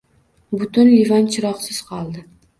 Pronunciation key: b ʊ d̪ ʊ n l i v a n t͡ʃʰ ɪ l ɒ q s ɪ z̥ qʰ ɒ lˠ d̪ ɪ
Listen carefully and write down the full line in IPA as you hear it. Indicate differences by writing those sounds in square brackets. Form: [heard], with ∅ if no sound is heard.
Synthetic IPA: b ʊ [t̪] ʊ n l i v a n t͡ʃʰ ɪ [ɾ] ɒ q s ɪ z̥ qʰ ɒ lˠ d̪ ɪ